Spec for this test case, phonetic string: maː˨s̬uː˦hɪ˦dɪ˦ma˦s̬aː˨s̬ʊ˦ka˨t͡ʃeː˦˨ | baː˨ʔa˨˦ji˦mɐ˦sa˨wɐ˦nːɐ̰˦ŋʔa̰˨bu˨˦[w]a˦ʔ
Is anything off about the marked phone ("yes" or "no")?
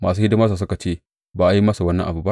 yes